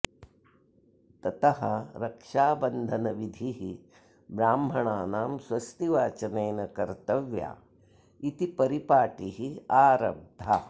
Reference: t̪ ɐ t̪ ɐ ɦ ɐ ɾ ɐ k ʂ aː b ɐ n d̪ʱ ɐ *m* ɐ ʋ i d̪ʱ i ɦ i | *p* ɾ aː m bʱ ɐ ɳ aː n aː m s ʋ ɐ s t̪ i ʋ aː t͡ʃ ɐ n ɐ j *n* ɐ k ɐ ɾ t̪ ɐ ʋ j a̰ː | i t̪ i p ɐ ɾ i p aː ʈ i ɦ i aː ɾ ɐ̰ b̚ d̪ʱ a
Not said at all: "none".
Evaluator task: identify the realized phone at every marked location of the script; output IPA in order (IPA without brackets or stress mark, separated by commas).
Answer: n, b, n